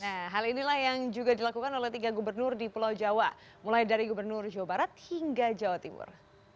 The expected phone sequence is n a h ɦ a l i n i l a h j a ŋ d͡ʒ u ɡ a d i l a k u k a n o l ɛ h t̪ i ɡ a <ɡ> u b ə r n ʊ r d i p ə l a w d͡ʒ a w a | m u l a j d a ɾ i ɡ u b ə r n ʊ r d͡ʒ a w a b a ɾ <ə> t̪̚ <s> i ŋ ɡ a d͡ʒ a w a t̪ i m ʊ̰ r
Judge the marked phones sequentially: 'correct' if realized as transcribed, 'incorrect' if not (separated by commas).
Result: correct, incorrect, incorrect